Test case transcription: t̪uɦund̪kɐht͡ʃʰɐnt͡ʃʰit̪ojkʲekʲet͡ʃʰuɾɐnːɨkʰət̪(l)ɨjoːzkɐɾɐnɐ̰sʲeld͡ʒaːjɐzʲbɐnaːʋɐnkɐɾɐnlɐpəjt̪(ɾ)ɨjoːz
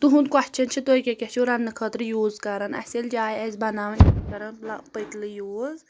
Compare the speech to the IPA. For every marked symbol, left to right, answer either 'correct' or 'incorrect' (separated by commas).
incorrect, incorrect